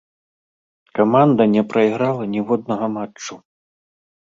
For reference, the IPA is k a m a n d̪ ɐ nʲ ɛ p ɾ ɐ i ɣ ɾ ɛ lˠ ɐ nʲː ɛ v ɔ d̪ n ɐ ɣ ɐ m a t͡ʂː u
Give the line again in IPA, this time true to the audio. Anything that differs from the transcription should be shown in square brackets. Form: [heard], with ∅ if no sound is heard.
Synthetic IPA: k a m a n d̪ ɐ nʲ ɛ p ɾ ɐ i ɣ ɾ [a] lˠ ɐ [nʲ] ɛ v ɔ d̪ n ɐ ɣ ɐ m a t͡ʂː u